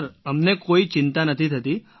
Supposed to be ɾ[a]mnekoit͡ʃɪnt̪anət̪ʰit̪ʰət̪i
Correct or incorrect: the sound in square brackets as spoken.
incorrect: ə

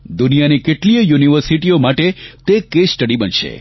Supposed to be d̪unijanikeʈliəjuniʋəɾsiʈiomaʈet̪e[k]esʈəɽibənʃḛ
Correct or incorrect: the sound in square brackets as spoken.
correct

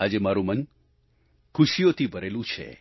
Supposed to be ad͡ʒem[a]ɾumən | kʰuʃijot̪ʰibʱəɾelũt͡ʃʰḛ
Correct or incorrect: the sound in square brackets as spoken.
correct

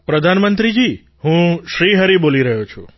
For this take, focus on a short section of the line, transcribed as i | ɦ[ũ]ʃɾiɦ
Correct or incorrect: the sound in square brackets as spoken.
correct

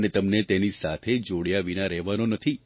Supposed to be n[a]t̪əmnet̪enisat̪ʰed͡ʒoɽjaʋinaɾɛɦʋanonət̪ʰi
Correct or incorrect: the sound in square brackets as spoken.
incorrect: e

